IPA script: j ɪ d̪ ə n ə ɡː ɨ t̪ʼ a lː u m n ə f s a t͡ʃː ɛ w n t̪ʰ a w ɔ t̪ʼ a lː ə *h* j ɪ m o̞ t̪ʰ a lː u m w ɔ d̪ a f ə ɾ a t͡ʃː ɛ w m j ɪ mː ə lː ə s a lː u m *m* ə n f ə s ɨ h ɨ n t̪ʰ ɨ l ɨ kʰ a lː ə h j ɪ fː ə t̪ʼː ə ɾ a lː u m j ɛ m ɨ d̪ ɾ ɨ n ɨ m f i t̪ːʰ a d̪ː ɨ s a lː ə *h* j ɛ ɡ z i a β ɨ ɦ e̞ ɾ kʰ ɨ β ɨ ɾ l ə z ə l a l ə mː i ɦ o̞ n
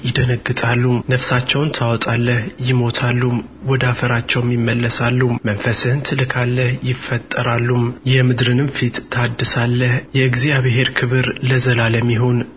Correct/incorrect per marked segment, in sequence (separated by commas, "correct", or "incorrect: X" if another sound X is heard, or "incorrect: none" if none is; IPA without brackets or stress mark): correct, correct, correct